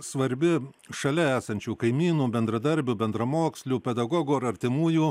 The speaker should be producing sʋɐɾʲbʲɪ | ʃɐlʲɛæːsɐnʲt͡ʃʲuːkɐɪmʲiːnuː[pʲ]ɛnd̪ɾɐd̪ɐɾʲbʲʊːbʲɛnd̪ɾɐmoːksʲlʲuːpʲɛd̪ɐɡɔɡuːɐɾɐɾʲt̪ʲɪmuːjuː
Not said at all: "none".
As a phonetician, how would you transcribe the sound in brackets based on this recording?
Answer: bʲ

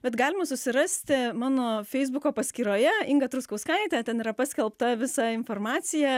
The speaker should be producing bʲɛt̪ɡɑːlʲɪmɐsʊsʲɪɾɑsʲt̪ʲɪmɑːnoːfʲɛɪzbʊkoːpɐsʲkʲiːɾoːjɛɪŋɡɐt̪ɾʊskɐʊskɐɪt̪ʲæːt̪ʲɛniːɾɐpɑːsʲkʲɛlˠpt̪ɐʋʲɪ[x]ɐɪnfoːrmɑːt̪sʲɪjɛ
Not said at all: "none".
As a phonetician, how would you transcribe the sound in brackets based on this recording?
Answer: s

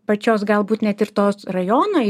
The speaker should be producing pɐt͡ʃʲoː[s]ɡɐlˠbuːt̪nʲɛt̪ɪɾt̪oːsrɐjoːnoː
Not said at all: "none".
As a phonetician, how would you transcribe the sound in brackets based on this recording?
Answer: s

